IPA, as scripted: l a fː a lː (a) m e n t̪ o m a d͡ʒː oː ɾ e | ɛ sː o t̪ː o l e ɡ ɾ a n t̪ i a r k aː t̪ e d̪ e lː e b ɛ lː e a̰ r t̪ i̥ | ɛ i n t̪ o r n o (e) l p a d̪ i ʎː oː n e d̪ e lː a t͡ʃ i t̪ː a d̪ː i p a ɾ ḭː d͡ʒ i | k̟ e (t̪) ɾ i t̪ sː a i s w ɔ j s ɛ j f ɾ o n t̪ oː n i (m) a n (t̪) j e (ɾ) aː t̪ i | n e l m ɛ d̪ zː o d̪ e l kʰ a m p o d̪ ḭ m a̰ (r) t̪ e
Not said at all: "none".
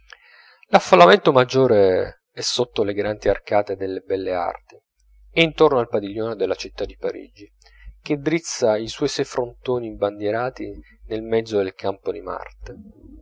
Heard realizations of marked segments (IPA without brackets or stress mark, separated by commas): a, a, d̪, b, d̪, ɾ, r